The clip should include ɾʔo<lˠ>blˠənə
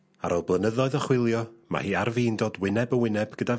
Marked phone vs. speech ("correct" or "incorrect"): correct